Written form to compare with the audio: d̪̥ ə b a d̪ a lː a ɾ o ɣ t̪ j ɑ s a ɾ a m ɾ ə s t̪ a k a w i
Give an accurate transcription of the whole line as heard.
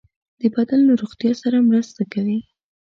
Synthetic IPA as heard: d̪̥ ə b a d̪ a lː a ɾ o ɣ t̪ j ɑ s a ɾ a m ɾ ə s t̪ a k a w i

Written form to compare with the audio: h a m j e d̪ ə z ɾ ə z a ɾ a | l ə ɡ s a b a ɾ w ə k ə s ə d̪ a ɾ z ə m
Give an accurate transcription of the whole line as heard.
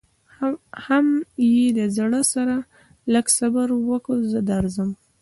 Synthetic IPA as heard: h a m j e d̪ ə z ɽ ə s a ɾ a | l ə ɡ s a b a ɾ w ə k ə z ə d̪ a ɾ z ə m

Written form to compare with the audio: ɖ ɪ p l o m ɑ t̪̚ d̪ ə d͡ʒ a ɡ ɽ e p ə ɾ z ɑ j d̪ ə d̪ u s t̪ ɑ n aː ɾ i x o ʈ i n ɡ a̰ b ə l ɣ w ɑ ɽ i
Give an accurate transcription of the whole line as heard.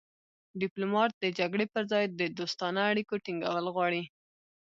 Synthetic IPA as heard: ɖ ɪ p l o m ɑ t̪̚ d̪ ə d͡ʒ a ɡ ɽ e p ə ɾ z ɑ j d̪ ə d̪ o s t̪ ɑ n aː ɽ i k o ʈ i ŋ ɡ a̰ w ə l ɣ w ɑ ɽ i

